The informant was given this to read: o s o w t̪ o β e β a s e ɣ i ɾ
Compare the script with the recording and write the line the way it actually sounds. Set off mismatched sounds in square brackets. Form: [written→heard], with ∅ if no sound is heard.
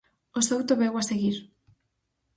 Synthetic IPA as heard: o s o w t̪ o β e [β→w] a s e ɣ i ɾ